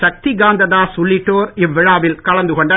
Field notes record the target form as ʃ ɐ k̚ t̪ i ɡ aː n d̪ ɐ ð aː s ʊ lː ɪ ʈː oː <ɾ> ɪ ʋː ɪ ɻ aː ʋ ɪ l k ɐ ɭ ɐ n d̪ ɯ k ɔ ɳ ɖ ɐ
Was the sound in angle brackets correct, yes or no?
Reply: yes